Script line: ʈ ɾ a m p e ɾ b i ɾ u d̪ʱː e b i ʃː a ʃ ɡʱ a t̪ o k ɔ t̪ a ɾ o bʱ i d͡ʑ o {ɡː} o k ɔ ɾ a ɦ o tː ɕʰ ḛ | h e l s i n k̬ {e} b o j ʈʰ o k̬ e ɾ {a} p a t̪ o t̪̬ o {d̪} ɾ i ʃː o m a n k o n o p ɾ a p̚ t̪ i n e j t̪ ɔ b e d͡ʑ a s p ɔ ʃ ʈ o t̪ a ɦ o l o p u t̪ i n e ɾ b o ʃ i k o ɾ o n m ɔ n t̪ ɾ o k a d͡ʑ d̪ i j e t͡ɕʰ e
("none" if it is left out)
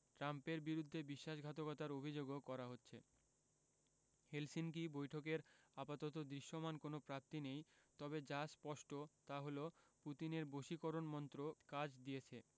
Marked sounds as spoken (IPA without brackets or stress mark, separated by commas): ɡ, i, a, d̪